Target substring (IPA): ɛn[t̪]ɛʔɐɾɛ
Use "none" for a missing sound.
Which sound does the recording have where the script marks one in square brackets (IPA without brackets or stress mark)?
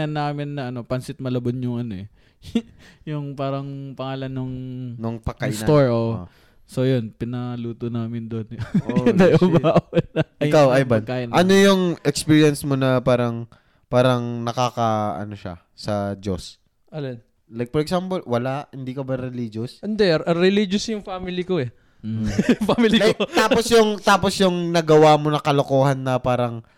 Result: d̪